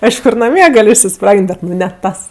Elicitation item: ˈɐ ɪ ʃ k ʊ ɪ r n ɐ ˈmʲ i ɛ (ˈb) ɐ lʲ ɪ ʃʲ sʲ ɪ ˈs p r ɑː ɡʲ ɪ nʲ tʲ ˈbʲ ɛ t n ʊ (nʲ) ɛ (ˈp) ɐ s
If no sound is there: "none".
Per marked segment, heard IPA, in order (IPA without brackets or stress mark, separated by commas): ɡ, nʲ, t